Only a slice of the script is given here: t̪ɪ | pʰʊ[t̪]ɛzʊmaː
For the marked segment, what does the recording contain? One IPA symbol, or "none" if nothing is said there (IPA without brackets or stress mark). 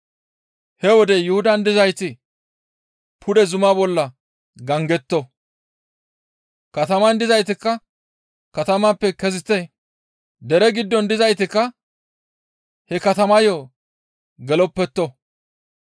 d̪